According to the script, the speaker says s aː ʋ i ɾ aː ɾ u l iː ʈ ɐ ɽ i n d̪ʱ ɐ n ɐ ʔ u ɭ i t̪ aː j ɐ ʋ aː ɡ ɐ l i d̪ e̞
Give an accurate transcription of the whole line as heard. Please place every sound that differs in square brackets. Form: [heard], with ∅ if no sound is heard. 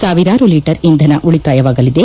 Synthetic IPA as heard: s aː ʋ i ɾ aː ɾ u l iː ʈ ɐ [ɾ] i n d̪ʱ ɐ n ɐ ʔ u ɭ i t̪ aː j ɐ ʋ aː ɡ ɐ l i d̪ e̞